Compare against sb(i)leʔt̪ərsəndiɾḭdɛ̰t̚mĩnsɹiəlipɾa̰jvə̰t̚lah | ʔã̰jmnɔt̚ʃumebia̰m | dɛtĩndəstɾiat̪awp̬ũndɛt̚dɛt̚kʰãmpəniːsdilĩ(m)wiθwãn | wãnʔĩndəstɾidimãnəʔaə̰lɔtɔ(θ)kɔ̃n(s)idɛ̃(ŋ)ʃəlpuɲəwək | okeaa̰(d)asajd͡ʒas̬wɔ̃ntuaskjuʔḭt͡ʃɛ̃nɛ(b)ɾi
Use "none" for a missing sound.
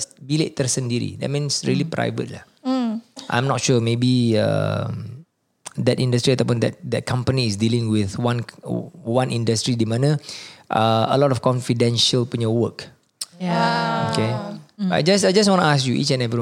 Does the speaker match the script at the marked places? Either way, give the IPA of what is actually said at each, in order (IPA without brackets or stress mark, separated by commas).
i, ŋ, f, f, n, d͡ʒ, v